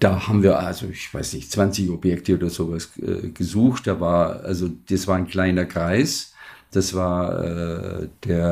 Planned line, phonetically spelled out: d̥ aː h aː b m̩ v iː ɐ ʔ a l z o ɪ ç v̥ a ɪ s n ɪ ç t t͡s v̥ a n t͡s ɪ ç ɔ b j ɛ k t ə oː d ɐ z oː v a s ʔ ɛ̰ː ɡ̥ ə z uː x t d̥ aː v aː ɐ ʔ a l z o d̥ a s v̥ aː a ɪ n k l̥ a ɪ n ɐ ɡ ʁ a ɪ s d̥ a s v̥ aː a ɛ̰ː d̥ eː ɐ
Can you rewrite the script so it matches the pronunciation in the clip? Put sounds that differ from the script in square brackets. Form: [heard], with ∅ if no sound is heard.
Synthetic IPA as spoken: d̥ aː h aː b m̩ v iː ɐ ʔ a l z o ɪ ç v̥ a ɪ s n ɪ ç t t͡s v̥ a n t͡s ɪ ç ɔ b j ɛ k t ə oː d ɐ z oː v a s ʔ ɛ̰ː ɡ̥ ə z uː x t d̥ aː v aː ɐ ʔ a l z o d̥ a s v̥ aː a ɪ n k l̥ a ɪ n ɐ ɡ ʁ a ɪ s d̥ a s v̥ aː [ɐ] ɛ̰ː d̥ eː ɐ